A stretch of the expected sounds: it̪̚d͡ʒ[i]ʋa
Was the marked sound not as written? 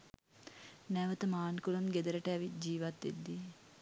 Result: yes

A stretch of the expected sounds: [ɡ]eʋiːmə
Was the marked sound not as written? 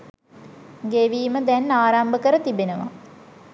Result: no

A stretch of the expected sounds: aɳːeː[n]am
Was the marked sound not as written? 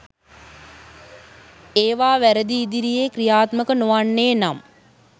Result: no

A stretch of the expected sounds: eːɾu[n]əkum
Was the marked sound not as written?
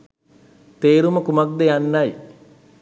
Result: yes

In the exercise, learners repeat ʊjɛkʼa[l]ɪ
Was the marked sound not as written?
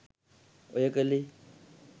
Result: no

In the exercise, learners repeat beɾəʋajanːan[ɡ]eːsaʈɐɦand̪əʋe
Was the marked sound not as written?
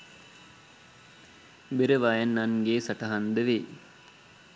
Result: no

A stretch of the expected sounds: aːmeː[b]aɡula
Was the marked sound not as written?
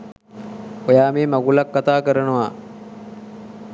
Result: yes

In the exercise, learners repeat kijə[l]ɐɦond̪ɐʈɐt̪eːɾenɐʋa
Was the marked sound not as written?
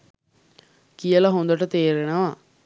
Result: no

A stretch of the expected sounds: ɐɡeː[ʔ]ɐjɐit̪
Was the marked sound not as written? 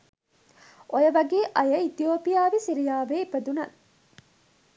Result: no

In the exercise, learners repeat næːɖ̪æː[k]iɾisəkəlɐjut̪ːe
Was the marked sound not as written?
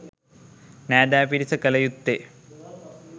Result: yes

